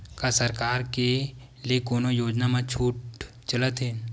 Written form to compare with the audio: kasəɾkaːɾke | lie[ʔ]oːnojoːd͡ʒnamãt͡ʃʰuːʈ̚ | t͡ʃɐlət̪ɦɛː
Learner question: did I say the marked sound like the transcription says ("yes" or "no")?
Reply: no